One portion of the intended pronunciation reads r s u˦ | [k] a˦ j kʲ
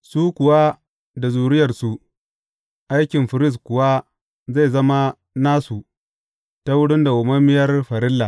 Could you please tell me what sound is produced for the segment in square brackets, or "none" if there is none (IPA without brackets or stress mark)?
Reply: ʔ